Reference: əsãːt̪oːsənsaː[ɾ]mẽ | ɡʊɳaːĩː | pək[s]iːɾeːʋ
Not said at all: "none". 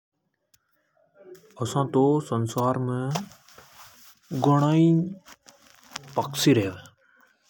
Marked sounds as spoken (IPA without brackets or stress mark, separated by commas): ɾ, s